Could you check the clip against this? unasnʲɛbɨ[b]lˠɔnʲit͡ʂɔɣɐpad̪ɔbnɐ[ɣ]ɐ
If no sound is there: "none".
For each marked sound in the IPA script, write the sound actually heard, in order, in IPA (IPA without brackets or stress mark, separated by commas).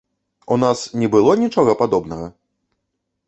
none, ɣ